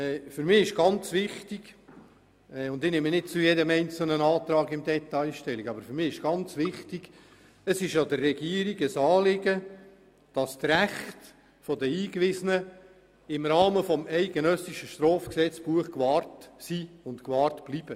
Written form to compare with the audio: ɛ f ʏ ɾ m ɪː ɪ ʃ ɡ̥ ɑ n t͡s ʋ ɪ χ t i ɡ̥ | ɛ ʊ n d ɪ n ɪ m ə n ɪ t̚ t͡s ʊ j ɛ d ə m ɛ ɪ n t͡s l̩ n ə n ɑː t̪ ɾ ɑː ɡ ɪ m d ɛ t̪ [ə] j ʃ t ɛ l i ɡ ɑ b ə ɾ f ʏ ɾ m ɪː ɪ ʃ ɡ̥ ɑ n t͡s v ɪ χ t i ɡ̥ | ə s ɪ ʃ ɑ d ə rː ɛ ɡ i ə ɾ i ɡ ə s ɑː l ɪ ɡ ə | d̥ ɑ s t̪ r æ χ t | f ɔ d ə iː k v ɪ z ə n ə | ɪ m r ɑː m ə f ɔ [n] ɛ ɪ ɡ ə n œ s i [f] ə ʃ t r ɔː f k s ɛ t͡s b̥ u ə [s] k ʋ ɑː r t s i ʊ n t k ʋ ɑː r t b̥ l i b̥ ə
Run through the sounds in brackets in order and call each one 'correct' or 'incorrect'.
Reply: incorrect: ɑ, incorrect: m, incorrect: ʃ, incorrect: χ

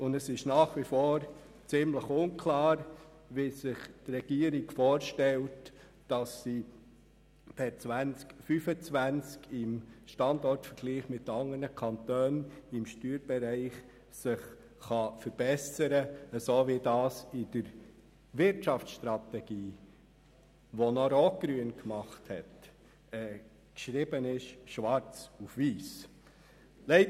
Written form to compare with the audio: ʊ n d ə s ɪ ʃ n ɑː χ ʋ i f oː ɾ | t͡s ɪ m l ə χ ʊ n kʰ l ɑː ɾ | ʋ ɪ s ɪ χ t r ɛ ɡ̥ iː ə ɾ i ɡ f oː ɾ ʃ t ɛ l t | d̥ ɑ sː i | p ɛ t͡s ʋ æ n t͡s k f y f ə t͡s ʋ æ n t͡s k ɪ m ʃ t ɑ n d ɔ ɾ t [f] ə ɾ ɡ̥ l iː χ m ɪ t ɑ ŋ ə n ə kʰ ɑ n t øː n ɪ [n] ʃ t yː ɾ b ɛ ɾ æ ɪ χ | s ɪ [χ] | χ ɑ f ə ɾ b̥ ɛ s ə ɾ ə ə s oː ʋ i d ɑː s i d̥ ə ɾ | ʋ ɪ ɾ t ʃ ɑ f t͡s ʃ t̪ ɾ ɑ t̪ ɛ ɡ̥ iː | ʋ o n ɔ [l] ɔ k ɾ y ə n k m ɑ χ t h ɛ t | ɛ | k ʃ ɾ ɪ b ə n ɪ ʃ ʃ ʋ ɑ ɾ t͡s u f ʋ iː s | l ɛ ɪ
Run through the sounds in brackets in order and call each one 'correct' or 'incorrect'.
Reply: correct, incorrect: m, correct, incorrect: ɾ

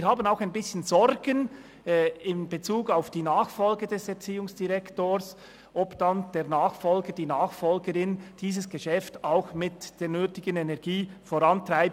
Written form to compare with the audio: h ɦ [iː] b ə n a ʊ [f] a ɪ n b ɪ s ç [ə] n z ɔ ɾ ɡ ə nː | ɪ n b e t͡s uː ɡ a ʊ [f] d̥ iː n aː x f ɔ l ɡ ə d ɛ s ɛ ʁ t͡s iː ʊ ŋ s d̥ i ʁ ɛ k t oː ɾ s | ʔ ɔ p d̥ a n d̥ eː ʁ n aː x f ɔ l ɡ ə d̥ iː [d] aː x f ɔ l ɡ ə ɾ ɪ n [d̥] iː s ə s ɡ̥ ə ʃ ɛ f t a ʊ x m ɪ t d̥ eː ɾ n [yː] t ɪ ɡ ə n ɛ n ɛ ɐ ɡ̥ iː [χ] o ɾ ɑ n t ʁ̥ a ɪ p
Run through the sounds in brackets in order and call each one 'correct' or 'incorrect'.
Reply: incorrect: aː, incorrect: x, correct, correct, incorrect: n, correct, incorrect: øː, incorrect: f

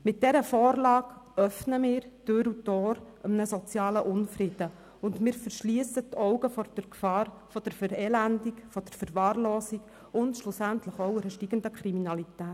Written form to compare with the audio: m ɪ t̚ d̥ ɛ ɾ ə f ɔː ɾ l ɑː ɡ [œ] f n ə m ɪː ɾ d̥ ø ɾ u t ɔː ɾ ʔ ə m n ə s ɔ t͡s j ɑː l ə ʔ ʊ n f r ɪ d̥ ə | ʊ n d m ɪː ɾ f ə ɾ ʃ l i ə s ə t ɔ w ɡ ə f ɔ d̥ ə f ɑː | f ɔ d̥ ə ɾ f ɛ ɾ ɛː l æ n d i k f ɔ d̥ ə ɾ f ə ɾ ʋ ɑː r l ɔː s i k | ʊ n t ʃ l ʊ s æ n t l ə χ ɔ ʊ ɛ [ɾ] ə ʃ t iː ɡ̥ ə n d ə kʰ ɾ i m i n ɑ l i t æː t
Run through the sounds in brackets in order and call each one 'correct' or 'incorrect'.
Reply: correct, correct

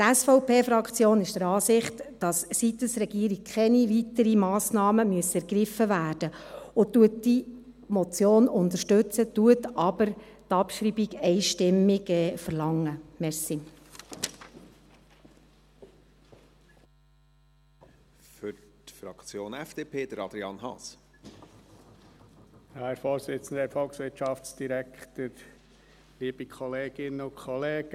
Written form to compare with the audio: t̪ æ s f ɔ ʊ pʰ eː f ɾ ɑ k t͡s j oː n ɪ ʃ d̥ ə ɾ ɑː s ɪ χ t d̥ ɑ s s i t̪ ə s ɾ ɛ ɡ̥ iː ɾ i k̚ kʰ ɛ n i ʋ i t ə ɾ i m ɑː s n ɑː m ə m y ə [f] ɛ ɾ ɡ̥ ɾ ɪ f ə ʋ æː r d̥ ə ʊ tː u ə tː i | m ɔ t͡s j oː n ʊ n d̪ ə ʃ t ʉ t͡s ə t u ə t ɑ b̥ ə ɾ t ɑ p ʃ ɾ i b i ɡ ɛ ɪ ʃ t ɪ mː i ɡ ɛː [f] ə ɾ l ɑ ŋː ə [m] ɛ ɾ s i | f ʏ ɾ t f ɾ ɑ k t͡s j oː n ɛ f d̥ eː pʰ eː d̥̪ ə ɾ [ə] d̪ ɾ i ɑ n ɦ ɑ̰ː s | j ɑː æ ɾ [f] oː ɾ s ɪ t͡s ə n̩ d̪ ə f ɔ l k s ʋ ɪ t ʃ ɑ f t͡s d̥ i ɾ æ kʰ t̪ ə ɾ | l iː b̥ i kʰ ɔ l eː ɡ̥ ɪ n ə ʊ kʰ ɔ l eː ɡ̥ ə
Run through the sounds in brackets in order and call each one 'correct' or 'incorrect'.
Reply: incorrect: s, correct, correct, incorrect: ɑ, correct

